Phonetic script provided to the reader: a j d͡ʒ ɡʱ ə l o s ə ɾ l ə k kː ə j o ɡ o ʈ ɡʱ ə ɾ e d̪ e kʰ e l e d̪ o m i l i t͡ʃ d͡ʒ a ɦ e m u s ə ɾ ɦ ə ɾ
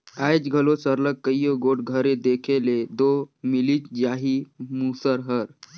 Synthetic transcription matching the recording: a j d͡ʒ ɡʱ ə l o s ə ɾ l ə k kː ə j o ɡ o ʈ ɡʱ ə ɾ e d̪ e kʰ e l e d̪ o m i l i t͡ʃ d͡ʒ a ɦ i m u s ə ɾ ɦ ə ɾ